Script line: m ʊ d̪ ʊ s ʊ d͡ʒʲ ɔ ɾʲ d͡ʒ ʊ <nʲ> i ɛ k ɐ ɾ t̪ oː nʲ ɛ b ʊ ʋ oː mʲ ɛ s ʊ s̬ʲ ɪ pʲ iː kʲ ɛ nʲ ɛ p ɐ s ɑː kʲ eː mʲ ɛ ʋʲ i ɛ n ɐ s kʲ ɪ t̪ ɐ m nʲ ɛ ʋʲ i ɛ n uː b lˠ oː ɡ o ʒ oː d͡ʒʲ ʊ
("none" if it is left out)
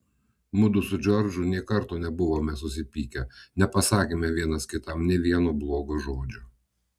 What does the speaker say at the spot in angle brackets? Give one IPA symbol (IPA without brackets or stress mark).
nʲ